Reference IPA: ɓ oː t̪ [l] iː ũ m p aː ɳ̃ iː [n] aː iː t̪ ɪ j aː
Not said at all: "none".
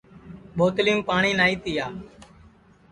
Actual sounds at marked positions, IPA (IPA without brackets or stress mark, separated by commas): l, n